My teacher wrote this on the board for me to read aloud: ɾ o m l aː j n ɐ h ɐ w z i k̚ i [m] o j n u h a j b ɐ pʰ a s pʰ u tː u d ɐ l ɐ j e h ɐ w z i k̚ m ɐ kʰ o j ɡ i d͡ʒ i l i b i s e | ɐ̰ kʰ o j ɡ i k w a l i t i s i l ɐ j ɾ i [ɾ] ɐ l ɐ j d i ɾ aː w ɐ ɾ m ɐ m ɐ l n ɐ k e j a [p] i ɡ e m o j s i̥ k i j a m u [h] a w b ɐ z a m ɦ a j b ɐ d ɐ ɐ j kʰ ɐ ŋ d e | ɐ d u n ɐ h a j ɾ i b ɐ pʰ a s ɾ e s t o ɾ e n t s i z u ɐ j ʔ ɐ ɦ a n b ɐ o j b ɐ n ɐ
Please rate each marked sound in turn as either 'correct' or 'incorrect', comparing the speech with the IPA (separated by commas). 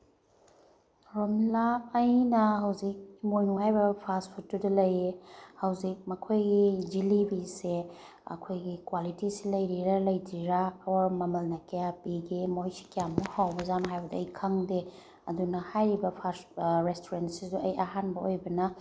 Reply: correct, correct, correct, correct